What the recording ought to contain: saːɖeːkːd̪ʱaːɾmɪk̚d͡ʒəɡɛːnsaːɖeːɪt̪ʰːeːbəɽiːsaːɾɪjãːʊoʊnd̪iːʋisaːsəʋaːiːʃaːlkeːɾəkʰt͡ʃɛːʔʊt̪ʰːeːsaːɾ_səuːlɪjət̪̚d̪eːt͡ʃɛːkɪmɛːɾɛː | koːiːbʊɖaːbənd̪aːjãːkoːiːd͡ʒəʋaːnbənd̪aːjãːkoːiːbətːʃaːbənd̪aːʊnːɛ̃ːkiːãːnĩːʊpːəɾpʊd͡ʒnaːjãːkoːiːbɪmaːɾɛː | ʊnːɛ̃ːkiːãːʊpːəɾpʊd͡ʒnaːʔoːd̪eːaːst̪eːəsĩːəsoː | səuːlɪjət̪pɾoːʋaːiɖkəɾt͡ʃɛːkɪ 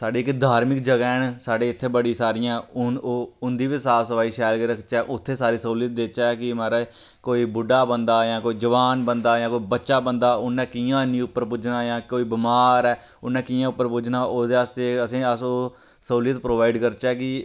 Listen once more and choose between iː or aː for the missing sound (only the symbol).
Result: iː